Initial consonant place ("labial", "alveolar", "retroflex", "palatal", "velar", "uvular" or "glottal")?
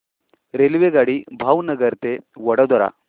alveolar